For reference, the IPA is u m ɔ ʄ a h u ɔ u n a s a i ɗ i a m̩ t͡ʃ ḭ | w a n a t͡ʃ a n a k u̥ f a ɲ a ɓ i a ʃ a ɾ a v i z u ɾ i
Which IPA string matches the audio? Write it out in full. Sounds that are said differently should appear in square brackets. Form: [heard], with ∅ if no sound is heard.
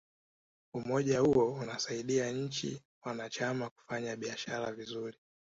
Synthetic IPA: u m ɔ ʄ a h u ɔ u n a s a i ɗ i a [ɲ̩] t͡ʃ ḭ | w a n a t͡ʃ a [m] a k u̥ f a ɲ a ɓ i a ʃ a ɾ a v i z u ɾ i